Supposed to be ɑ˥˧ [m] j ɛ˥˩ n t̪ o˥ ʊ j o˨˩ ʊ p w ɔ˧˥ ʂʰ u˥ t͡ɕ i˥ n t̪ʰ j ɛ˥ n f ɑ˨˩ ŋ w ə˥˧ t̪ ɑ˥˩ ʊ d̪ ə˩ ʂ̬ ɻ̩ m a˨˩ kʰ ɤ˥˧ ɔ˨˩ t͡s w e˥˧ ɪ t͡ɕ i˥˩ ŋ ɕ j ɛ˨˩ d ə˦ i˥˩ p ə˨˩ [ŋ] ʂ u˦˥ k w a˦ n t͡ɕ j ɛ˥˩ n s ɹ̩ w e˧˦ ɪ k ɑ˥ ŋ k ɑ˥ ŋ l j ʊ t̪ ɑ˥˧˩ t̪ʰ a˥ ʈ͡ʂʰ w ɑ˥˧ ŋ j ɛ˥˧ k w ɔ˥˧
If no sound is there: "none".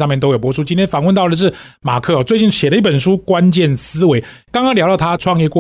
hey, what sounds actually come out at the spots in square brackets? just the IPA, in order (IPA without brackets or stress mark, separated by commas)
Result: m, n